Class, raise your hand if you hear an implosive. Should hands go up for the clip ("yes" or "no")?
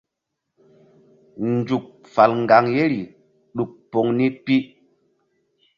yes